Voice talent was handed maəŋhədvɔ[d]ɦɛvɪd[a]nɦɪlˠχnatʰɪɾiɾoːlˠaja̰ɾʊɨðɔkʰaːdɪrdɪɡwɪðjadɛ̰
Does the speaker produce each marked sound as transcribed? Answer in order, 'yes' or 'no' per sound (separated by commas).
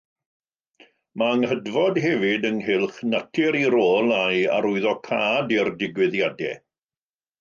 yes, no